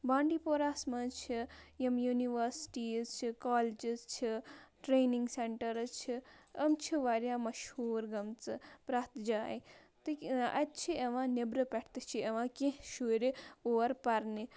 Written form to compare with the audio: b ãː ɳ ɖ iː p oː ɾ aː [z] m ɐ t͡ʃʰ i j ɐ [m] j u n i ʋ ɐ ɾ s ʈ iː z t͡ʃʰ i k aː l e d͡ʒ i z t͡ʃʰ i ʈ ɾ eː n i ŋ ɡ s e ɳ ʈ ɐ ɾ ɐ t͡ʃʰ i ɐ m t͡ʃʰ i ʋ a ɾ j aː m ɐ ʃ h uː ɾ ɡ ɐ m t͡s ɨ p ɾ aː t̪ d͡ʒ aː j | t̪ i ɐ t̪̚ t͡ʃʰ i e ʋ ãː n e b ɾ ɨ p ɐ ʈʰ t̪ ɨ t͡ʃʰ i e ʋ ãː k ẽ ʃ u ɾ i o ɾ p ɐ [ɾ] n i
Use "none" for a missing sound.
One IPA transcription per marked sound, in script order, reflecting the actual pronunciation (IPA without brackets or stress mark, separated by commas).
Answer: s, m, ɾ